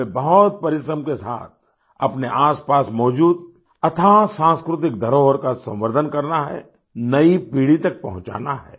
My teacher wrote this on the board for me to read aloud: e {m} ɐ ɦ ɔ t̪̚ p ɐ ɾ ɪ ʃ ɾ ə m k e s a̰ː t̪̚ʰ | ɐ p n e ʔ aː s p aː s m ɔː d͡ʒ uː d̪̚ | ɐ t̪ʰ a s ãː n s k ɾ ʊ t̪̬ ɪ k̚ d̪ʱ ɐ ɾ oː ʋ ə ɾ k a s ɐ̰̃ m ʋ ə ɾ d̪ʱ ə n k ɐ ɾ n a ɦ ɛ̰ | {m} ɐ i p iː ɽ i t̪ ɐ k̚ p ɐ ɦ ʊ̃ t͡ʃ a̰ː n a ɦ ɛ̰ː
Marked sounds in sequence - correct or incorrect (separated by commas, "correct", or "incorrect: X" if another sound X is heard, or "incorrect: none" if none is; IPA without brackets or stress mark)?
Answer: incorrect: b, incorrect: n